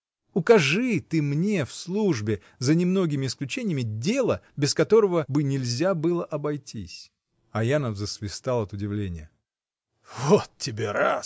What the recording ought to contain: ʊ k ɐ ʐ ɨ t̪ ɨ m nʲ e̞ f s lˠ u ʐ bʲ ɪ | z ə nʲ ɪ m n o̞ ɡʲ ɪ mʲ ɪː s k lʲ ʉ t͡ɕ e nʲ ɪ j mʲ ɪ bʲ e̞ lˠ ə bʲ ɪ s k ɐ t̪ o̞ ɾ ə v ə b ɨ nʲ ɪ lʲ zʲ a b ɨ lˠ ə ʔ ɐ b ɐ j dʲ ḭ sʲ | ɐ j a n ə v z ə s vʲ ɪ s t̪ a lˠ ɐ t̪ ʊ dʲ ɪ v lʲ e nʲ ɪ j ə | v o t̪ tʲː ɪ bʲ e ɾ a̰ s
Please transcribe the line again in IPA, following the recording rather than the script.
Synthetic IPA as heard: ʊ k ɐ ʐ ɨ t̪ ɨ m nʲ e̞ f s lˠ u ʐ bʲ ɪ | z ə nʲ ɪ m n o̞ ɡʲ ɪ mʲ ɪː s k lʲ ʉ t͡ɕ e nʲ ɪ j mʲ ɪ dʲ e̞ lˠ ə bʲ ɪ s k ɐ t̪ o̞ ɾ ə v ə b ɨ nʲ ɪ lʲ zʲ a b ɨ lˠ ə ʔ ɐ b ɐ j tʲ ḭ sʲ | ɐ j a n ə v z ə s vʲ ɪ s t̪ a lˠ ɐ t̪ ʊ dʲ ɪ v lʲ e nʲ ɪ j ə | v o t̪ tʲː ɪ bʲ e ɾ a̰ s